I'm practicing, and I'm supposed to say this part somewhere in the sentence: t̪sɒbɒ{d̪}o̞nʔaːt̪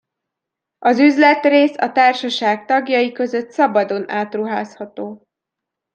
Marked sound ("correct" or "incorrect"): correct